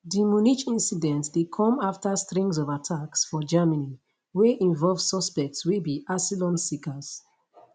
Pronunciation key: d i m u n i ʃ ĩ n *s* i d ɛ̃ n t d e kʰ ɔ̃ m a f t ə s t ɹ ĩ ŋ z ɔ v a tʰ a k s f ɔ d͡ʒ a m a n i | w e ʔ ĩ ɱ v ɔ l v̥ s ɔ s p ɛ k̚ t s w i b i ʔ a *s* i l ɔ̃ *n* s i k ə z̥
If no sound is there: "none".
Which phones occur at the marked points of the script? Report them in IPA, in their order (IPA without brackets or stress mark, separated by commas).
s, s, n